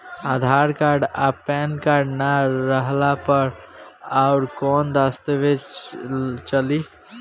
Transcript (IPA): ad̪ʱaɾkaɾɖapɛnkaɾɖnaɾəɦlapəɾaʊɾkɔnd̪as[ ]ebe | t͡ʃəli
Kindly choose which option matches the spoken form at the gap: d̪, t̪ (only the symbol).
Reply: t̪